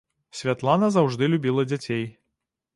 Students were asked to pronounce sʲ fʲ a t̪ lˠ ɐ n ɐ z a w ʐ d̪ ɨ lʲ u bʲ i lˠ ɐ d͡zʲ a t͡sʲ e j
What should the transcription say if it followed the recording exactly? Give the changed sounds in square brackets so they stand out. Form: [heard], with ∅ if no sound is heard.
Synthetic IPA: sʲ [vʲ] a t̪ lˠ [a] n ɐ z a w ʐ d̪ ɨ lʲ u bʲ i lˠ ɐ d͡zʲ a t͡sʲ e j